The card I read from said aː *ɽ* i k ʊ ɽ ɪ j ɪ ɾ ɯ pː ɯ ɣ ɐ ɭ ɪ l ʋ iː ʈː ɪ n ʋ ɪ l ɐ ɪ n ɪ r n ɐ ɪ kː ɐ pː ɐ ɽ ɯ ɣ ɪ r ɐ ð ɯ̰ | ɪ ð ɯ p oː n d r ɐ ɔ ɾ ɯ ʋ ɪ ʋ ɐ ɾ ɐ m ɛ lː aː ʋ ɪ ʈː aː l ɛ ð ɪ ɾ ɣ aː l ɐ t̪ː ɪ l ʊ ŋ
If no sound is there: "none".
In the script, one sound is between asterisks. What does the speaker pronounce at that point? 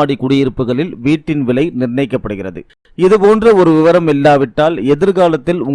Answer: ɽ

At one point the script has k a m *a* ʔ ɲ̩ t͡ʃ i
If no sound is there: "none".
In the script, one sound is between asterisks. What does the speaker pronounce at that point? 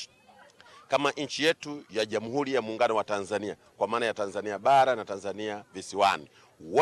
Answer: a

